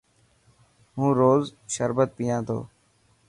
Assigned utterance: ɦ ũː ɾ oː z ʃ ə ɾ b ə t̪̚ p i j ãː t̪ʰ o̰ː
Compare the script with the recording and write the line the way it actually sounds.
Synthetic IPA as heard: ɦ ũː ɾ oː z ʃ ə ɾ b ə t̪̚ p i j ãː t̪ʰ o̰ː